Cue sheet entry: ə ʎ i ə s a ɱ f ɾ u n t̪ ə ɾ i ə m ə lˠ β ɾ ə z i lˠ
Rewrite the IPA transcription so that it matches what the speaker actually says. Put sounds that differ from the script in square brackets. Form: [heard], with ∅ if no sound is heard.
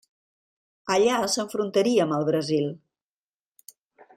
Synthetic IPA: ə ʎ [a] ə s [ə] ɱ f ɾ u n t̪ ə ɾ i ə m ə lˠ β ɾ ə z i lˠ